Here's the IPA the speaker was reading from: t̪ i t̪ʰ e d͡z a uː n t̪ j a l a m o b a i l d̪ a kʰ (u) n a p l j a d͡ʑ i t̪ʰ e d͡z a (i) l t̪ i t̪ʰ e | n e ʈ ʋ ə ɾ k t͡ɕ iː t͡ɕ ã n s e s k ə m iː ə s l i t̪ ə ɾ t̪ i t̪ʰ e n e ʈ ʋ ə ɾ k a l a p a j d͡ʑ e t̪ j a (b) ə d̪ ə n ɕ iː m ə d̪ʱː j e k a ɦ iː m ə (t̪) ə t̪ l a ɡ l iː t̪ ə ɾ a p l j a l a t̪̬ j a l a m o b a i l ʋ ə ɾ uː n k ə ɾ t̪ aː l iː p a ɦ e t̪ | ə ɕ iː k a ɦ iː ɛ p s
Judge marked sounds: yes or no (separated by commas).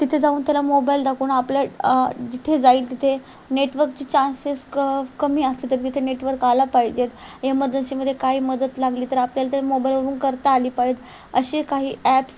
no, no, no, no